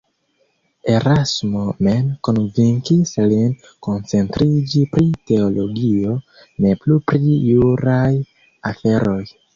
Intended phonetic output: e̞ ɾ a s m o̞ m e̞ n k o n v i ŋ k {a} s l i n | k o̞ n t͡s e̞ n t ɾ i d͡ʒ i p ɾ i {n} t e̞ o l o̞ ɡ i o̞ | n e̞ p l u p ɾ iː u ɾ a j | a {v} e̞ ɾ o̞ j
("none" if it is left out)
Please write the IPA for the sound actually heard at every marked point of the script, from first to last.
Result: i, none, f

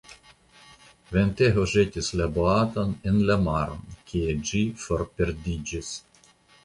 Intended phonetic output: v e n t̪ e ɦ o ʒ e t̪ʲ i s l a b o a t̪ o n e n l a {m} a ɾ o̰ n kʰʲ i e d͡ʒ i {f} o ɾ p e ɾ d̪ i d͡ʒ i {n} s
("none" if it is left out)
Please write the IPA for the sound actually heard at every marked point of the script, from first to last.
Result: m, f, none

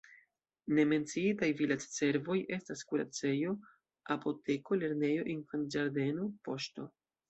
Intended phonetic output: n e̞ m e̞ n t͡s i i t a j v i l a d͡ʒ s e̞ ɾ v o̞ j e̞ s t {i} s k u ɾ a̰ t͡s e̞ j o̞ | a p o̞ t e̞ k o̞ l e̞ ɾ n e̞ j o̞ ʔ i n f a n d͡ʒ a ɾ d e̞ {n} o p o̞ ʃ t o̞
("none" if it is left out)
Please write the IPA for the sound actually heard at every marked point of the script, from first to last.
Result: a, n

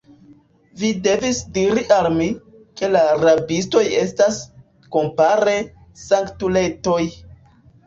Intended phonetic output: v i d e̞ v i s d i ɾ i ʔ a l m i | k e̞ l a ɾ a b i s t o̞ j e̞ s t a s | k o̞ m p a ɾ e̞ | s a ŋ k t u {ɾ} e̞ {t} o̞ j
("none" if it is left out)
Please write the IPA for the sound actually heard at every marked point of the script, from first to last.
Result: l, t

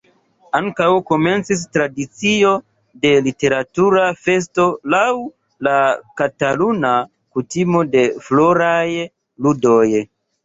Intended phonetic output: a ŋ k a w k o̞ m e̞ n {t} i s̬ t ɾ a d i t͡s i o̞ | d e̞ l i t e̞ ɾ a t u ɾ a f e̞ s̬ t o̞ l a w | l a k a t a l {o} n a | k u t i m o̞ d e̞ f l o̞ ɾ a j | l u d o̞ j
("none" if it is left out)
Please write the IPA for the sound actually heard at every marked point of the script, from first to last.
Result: t͡s, u

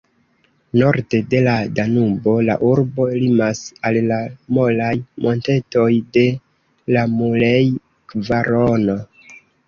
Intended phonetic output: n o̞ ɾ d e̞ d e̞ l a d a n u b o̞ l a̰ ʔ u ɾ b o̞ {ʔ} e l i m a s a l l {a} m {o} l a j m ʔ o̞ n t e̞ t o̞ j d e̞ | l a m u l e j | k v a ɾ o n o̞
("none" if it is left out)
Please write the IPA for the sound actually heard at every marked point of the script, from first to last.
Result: none, a, o

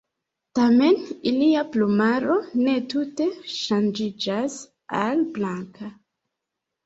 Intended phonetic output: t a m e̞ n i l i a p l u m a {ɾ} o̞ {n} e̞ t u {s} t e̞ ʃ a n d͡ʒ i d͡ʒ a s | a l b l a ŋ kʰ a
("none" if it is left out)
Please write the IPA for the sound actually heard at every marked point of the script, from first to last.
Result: ɾ, n, none

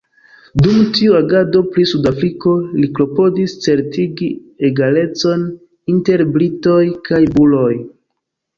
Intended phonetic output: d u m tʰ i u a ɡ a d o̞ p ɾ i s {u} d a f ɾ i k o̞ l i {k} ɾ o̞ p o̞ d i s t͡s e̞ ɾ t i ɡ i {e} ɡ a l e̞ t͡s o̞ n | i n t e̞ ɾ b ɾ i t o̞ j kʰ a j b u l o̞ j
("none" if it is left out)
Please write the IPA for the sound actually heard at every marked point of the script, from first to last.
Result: u, k, e

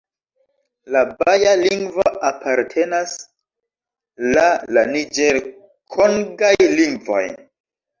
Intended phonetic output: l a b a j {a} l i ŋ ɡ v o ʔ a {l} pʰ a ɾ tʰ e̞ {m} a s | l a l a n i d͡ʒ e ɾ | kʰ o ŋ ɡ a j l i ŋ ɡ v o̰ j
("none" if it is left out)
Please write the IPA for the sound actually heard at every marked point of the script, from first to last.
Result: a, none, n

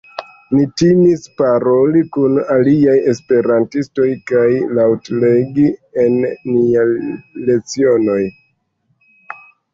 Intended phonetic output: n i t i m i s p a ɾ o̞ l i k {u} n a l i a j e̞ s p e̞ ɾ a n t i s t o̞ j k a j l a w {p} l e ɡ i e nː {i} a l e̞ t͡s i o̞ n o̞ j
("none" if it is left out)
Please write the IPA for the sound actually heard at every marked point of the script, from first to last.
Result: u, t, i

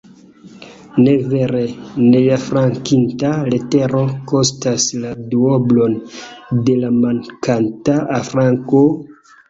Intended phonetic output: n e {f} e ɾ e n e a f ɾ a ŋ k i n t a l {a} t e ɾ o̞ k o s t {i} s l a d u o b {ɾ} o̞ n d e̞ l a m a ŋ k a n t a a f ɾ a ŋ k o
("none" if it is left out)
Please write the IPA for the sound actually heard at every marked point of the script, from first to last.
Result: v, e, a, l

